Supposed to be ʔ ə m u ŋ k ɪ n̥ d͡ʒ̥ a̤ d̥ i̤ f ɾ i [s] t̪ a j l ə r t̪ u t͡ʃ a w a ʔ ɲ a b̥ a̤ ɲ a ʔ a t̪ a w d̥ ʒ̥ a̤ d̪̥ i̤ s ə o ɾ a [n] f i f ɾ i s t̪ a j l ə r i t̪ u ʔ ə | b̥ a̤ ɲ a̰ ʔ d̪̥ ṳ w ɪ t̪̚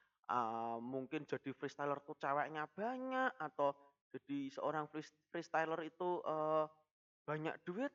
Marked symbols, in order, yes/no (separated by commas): yes, no